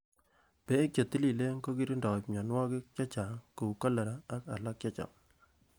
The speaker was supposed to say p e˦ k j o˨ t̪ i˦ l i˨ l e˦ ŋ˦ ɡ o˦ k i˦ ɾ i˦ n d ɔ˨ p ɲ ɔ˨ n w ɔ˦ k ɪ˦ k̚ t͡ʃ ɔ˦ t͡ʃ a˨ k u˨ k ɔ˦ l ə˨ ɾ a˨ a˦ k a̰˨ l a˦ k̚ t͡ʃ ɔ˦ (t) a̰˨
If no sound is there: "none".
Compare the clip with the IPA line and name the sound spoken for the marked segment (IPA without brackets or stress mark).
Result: t͡ʃ